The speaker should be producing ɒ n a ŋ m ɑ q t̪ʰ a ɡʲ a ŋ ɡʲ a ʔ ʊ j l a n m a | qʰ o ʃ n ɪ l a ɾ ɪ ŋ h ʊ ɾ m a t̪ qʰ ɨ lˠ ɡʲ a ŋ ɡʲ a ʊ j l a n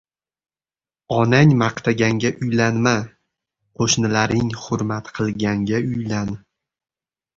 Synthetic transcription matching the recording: ɒ n a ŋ m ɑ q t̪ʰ a ɡʲ a ŋ ɡʲ a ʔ ʊ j l a n m a | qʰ o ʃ n ɪ l a ɾ ɪ ŋ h ʊ ɾ m a t̪ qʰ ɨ lˠ ɡʲ a ŋ ɡʲ a ʊ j l a n